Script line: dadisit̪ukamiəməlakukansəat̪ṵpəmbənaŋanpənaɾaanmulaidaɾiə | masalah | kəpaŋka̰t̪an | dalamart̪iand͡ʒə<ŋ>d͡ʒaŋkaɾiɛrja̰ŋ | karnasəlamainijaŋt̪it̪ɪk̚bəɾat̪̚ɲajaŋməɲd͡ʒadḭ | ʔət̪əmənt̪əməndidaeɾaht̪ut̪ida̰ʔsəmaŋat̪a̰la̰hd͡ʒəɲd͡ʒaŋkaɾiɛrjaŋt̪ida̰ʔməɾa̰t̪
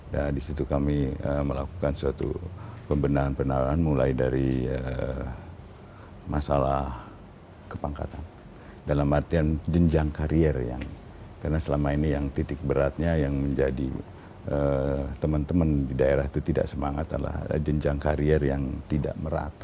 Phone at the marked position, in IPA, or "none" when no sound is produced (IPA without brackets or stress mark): ɲ